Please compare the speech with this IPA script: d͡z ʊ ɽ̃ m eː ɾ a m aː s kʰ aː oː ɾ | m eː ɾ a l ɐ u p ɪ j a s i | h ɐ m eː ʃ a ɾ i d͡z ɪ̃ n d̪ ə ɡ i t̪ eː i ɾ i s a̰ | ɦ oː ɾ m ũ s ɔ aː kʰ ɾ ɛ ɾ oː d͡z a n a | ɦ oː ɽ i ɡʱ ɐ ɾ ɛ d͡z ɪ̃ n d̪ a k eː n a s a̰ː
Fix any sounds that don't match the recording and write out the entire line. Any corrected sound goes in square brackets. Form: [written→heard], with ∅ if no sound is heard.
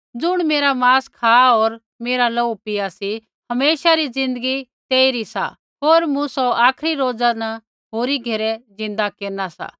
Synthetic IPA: d͡z ʊ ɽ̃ m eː ɾ a m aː s kʰ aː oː ɾ | m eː ɾ a l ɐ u p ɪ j a s i | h ɐ m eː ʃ a ɾ i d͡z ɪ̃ n d̪ ə ɡ i t̪ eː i ɾ i s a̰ | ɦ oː ɾ m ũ s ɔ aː kʰ ɾ [ɛ→i] ɾ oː d͡z a n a | ɦ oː [ɽ→ɾ] i ɡʱ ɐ ɾ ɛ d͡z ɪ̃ n d̪ a k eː n a s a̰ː